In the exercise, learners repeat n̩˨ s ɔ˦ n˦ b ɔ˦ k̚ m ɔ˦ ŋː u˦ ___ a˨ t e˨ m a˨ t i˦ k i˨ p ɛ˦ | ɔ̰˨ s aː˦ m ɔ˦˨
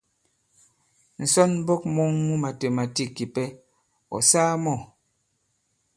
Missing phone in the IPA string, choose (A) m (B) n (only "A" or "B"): A